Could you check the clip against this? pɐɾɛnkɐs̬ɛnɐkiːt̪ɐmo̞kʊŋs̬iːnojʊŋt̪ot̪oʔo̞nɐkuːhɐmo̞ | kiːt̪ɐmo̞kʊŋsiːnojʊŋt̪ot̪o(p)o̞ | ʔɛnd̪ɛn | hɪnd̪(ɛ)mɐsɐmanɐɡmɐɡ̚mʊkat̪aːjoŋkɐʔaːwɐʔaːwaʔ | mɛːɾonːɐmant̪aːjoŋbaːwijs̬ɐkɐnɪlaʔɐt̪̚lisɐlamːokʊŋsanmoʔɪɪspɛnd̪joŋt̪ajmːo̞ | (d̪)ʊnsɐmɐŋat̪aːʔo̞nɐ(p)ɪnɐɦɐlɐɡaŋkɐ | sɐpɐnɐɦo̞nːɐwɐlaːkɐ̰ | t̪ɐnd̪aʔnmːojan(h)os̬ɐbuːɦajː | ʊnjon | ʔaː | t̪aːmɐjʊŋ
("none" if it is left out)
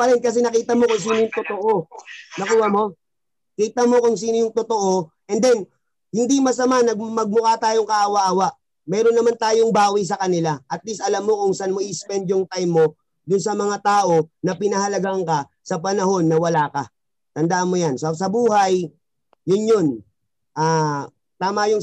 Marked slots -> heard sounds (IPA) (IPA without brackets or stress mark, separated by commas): ʔ, i, d̪, p, s